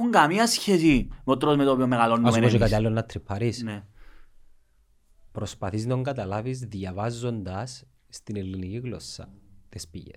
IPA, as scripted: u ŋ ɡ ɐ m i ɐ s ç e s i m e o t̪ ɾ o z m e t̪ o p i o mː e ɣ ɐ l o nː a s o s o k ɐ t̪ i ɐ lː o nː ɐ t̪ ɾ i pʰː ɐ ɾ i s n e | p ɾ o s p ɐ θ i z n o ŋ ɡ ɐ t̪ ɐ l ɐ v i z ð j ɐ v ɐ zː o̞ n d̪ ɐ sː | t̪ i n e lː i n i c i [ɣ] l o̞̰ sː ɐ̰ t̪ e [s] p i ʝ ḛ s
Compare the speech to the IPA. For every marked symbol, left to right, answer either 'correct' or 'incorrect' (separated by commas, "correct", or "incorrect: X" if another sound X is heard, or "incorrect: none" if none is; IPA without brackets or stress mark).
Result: correct, correct